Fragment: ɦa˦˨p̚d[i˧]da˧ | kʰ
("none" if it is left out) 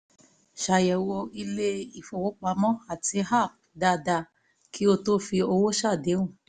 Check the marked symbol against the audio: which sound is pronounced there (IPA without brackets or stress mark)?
a˧